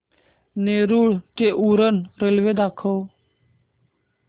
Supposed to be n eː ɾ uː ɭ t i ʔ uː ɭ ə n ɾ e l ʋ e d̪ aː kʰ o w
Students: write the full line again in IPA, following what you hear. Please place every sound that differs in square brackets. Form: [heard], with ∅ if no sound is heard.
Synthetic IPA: n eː ɾ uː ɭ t [e] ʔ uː [ɾ] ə n ɾ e l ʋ e d̪ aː kʰ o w